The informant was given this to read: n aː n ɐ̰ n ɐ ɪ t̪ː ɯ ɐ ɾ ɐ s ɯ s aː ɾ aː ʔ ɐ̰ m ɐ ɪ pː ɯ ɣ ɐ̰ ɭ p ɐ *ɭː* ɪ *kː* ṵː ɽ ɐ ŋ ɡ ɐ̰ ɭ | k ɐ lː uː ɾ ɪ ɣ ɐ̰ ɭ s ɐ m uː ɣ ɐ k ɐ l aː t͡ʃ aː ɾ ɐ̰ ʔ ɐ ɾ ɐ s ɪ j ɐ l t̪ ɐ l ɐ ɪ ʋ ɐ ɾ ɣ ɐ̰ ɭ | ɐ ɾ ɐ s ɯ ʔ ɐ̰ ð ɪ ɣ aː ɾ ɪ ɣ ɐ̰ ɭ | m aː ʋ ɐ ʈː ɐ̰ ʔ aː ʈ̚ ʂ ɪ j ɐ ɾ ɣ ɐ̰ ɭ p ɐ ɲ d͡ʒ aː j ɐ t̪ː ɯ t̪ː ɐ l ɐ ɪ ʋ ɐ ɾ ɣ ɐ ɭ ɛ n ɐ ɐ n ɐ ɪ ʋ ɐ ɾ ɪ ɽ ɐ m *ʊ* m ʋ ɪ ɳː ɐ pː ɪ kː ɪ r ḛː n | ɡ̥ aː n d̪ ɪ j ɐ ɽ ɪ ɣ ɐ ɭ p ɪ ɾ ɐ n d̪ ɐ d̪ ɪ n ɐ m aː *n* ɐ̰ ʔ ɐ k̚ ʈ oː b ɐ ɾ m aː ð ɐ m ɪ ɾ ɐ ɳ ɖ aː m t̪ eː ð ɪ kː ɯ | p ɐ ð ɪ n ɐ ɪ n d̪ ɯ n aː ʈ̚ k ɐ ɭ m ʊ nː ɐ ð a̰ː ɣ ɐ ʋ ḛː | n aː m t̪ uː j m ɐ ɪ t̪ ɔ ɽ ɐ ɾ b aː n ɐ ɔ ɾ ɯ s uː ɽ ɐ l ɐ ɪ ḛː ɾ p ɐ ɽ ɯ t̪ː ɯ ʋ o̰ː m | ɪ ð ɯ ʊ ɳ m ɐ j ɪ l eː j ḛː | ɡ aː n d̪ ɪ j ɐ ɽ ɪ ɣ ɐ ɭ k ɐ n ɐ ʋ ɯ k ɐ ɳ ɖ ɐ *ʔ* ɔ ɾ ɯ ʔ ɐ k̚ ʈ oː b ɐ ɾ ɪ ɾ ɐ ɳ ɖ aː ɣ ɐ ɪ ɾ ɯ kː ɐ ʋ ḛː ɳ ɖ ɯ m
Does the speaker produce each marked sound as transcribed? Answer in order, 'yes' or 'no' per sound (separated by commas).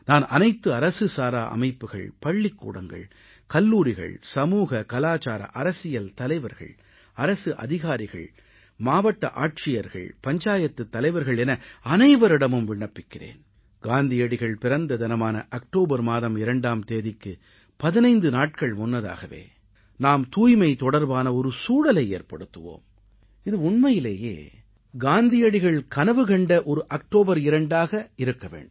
yes, yes, no, yes, yes